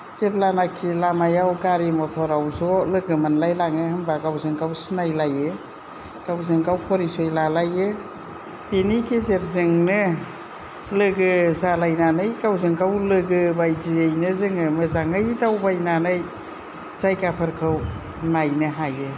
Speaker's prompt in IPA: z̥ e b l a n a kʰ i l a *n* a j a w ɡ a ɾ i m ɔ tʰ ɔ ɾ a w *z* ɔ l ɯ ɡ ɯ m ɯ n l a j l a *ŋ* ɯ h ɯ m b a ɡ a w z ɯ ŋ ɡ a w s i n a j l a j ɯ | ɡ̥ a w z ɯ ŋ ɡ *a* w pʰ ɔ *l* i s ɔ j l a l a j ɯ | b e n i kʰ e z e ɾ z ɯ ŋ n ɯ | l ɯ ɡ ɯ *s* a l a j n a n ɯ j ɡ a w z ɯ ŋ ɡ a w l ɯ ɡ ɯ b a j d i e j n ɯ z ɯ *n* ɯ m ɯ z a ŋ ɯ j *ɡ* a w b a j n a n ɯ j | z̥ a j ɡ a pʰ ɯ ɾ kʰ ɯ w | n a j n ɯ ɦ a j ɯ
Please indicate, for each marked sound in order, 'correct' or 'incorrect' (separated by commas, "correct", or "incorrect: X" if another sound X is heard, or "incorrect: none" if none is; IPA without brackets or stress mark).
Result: incorrect: m, correct, correct, correct, incorrect: ɾ, incorrect: z, incorrect: ŋ, incorrect: d